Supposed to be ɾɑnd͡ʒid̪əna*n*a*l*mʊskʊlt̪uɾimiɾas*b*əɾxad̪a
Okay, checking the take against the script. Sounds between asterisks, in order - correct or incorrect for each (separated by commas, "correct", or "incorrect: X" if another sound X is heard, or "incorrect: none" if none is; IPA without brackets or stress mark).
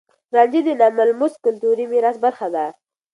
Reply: incorrect: m, correct, correct